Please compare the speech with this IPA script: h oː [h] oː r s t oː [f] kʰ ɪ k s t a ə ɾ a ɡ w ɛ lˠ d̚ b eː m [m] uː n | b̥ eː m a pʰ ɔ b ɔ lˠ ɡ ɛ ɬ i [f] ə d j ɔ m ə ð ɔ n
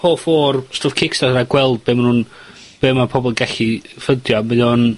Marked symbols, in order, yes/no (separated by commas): no, yes, no, yes